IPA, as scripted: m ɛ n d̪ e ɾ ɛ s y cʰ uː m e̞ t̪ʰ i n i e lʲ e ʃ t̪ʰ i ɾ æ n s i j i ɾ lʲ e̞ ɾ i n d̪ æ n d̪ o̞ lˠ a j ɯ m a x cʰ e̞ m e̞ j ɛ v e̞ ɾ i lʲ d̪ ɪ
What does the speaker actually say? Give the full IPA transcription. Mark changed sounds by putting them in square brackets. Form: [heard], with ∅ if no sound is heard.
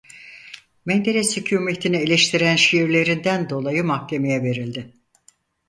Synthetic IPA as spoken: m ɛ n d̪ e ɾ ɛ s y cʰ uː m e̞ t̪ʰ i n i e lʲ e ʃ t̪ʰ i ɾ æ n [ʃ] i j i ɾ lʲ e̞ ɾ i n d̪ æ n d̪ o̞ lˠ a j ɯ m a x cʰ e̞ m e̞ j ɛ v e̞ ɾ i lʲ d̪ ɪ